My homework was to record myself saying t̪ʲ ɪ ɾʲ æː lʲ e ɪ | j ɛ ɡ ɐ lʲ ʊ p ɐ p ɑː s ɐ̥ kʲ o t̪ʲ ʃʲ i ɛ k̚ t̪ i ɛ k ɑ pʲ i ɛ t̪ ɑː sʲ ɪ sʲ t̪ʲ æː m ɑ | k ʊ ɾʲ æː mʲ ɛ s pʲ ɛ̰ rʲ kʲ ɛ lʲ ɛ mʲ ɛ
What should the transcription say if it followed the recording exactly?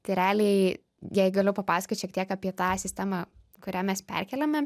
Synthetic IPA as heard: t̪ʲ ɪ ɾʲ æː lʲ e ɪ | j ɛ ɡ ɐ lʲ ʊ p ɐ p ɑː s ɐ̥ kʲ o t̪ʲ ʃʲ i ɛ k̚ t̪ i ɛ k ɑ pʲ i ɛ t̪ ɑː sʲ ɪ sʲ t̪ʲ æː m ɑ | k ʊ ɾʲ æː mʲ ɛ s pʲ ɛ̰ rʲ kʲ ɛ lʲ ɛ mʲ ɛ